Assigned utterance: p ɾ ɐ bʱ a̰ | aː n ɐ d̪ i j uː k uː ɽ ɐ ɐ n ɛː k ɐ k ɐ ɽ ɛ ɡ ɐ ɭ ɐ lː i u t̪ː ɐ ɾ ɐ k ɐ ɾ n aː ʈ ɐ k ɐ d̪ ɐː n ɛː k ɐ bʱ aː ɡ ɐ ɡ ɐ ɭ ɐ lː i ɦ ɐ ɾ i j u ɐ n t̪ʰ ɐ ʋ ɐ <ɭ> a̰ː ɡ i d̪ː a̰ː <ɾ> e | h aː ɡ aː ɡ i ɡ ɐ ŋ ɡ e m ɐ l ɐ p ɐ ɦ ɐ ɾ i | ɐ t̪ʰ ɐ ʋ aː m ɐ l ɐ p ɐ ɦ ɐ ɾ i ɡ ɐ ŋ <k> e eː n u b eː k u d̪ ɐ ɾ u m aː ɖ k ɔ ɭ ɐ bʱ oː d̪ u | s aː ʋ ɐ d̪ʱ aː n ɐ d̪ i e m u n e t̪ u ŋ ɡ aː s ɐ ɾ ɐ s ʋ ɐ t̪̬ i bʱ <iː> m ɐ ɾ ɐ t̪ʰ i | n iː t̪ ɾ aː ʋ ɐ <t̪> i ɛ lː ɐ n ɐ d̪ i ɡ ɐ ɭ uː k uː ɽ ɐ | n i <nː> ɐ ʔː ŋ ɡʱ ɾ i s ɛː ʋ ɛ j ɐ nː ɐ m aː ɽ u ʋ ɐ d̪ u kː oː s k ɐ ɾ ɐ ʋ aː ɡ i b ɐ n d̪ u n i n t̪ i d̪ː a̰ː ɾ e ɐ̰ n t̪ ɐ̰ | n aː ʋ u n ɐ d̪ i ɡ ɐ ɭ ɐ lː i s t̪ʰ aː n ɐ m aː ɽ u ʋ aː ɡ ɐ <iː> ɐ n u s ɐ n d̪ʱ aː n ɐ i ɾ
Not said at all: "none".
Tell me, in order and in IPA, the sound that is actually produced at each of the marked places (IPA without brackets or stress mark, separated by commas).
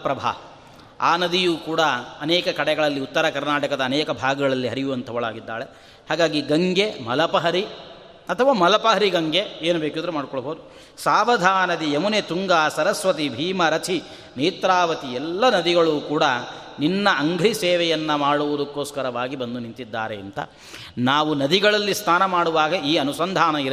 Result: ɭ, ɭ, ɡ, iː, t̪, nː, iː